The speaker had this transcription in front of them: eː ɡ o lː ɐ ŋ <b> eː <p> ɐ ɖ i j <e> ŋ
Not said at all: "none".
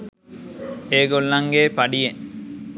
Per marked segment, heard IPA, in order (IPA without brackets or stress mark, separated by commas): ɡ, p, e